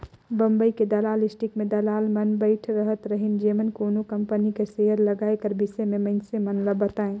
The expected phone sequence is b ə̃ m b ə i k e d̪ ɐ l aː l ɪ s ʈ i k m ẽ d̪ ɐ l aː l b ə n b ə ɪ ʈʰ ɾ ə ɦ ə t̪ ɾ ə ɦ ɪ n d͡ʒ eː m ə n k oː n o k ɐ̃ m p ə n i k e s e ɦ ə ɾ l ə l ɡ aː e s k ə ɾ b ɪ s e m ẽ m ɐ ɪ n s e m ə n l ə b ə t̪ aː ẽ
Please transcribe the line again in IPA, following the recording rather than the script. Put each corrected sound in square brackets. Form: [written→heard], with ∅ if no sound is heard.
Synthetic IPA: b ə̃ m b ə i k e d̪ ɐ l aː l ɪ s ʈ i k m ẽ d̪ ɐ l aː l [b→m] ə n b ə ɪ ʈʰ ɾ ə ɦ ə t̪ ɾ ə ɦ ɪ n d͡ʒ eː m ə n k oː n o k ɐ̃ m p ə n i k e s e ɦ ə ɾ l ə [l→∅] ɡ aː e [s→∅] k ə ɾ b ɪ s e m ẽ m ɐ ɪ n s e m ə n l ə b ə t̪ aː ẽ